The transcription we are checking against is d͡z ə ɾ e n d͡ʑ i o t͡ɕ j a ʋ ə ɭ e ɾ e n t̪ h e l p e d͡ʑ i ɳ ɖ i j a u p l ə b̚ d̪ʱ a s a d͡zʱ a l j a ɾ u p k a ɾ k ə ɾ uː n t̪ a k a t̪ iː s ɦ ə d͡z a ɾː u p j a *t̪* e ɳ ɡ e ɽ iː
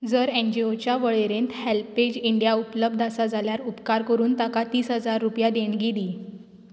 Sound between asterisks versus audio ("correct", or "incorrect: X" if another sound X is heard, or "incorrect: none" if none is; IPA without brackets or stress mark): incorrect: d̪